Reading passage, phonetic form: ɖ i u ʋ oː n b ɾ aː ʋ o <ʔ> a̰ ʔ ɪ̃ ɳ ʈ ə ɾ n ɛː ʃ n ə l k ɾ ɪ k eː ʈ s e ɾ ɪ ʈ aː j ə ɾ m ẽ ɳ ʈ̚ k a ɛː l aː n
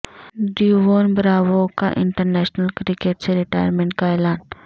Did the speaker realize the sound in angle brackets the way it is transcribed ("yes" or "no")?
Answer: no